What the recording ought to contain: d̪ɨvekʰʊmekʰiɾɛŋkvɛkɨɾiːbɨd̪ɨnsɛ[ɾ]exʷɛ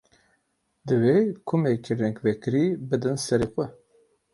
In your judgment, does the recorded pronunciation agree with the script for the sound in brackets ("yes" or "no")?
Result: yes